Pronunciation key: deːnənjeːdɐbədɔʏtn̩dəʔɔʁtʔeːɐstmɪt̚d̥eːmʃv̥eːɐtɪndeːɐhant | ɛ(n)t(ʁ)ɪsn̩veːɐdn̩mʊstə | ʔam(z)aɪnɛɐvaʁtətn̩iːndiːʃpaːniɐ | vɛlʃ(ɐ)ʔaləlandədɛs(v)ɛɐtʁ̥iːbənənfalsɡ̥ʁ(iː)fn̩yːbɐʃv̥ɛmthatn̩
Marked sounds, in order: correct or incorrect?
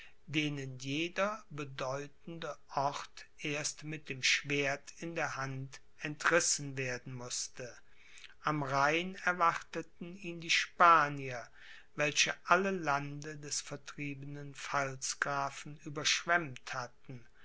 correct, correct, incorrect: ʁ, incorrect: ə, incorrect: f, incorrect: aː

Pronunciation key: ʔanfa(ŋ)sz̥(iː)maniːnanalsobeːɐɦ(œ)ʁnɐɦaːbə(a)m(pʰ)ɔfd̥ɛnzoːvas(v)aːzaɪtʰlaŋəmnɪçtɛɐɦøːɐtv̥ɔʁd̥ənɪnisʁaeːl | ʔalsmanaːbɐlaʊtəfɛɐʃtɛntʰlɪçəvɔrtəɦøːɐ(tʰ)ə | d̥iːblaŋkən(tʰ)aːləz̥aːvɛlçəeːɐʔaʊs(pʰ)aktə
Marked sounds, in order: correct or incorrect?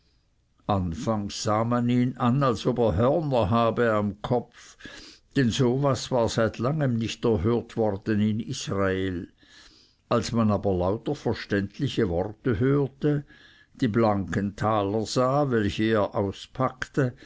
correct, incorrect: aː, correct, correct, incorrect: kʰ, correct, incorrect: t, correct, correct

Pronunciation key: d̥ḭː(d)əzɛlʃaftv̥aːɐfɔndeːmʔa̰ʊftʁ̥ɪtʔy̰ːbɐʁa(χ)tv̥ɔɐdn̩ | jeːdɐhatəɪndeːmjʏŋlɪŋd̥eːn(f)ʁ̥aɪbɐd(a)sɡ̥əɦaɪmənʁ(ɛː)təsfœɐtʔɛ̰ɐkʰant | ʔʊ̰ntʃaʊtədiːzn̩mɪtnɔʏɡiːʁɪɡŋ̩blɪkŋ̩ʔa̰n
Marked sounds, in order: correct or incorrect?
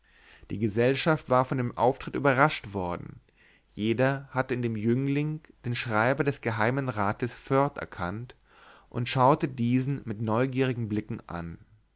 incorrect: ɡ, incorrect: ʃ, incorrect: ʃ, incorrect: ɛ, incorrect: aː

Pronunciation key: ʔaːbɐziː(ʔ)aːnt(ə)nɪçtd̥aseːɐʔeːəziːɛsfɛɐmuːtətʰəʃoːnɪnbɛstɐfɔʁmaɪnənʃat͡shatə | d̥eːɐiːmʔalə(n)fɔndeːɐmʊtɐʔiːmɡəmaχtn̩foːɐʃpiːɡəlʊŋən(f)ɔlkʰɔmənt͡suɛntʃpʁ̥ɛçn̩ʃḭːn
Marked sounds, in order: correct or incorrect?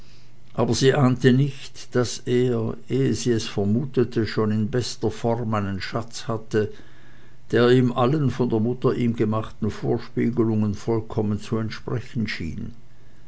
correct, correct, correct, correct

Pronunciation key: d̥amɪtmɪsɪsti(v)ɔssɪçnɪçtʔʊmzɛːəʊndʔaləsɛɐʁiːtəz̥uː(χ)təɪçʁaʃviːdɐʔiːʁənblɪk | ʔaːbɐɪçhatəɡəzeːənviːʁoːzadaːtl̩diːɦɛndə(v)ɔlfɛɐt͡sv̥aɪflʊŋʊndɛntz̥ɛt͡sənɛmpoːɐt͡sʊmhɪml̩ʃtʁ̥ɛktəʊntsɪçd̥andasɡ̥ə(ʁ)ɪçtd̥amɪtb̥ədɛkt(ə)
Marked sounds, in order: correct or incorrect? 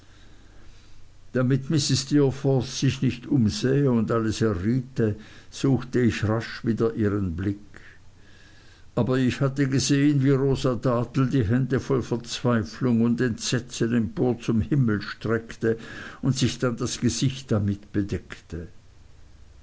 incorrect: f, incorrect: x, incorrect: f, incorrect: z, correct

